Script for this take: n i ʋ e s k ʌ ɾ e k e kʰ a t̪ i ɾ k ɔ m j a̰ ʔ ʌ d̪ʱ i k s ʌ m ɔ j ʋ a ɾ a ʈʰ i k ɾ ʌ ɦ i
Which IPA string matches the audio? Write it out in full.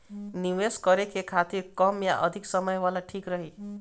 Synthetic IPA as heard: n i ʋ e s k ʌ ɾ e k e kʰ a t̪ i ɾ k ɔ m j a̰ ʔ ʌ d̪ʱ i k s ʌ m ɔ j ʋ a l a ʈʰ i k ɾ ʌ ɦ i